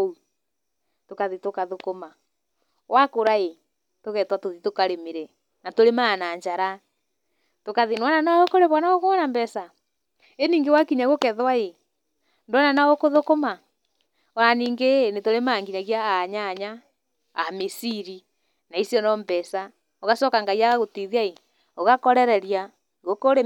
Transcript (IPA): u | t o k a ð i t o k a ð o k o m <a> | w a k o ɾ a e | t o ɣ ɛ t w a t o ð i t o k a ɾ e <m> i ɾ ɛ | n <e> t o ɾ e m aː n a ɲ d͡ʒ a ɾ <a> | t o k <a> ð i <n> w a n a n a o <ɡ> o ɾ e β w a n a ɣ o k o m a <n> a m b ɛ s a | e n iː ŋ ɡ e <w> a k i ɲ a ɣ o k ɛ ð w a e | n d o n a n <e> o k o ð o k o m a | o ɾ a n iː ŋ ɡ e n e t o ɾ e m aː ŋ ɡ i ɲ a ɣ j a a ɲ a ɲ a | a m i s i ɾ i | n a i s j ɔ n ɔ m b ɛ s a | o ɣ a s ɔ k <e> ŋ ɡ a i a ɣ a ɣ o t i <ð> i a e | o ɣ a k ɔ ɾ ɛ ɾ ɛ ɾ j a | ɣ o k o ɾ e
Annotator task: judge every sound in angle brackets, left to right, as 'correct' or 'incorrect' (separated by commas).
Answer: correct, correct, incorrect, correct, correct, correct, incorrect, correct, correct, incorrect, incorrect, correct